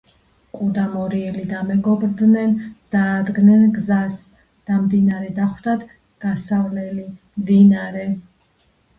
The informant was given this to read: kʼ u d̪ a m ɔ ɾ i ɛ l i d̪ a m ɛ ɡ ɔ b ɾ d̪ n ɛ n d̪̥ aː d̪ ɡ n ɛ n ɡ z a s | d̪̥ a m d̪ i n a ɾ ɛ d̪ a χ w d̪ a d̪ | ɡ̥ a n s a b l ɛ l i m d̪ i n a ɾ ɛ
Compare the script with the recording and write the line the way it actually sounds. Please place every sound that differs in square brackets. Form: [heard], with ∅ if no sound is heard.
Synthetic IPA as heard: kʼ u d̪ a m ɔ ɾ i ɛ l i d̪ a m ɛ ɡ ɔ b ɾ d̪ n ɛ n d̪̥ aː d̪ ɡ n ɛ n ɡ z a s | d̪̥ a m d̪ i n a ɾ ɛ d̪ a χ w d̪ a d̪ | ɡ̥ a [∅] s a [v] l ɛ l i m d̪ i n a ɾ ɛ